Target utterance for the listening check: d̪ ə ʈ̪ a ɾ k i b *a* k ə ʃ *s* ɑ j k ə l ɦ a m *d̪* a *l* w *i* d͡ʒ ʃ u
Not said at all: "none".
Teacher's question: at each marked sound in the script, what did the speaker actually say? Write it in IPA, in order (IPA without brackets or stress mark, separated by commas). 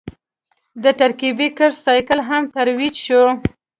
i, s, t̪, ɾ, i